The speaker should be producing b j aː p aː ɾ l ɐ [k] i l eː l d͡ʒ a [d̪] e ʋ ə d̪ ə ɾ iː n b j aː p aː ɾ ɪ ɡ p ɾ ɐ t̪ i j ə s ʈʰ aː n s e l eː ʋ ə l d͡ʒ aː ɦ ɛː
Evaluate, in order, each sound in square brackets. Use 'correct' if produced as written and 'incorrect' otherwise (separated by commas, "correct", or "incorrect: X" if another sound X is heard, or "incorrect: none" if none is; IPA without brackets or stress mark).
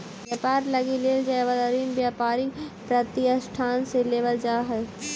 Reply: incorrect: ɡ, incorrect: none